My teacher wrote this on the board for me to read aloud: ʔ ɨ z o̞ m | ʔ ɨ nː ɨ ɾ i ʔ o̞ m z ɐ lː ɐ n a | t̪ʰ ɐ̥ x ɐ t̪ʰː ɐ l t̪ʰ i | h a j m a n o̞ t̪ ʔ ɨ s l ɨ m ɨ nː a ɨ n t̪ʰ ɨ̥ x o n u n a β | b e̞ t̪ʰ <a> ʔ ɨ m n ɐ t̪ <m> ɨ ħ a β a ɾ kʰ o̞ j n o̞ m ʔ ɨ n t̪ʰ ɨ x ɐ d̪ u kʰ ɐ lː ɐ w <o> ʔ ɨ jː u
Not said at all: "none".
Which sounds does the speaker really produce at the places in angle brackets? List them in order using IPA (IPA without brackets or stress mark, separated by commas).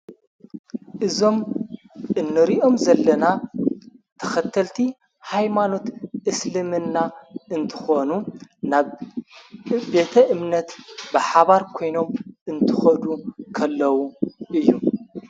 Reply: ɐ, b, u